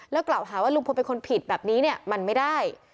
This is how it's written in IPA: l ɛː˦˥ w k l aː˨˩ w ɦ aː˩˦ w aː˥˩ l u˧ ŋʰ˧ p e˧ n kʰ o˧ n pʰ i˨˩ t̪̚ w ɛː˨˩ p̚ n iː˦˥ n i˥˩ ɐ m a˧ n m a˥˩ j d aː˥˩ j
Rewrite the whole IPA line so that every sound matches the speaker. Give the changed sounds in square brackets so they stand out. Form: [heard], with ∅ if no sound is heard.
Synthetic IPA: l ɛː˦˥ w k l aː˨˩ w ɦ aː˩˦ w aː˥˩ l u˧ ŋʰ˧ p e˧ n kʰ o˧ n pʰ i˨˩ t̪̚ [b] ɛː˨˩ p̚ n iː˦˥ n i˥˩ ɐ m a˧ n m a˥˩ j d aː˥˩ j